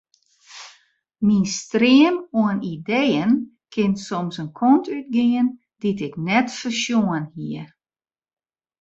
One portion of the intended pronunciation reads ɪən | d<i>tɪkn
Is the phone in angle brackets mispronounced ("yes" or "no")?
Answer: no